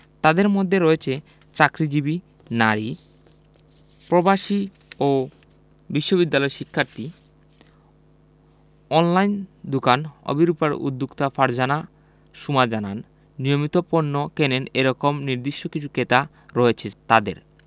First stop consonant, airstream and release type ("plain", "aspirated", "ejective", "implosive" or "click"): plain